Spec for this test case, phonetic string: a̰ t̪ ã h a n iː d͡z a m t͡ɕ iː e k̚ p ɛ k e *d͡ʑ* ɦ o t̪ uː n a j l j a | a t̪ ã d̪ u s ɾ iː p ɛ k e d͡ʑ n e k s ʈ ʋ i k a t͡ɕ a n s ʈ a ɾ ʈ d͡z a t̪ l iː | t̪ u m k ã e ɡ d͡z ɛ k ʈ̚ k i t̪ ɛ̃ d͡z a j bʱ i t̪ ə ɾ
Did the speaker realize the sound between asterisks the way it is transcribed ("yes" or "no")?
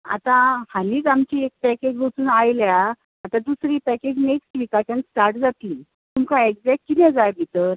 yes